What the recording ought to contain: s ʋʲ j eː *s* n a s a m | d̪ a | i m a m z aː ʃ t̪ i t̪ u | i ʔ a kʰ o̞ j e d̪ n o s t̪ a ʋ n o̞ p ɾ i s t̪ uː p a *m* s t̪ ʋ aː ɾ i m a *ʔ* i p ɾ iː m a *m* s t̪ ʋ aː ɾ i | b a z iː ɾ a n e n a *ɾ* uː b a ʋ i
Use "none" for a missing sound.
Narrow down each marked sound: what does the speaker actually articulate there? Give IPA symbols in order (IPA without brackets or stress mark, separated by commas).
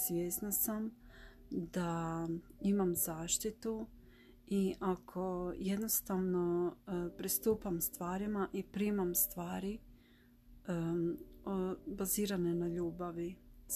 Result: s, m, ʔ, m, ʎ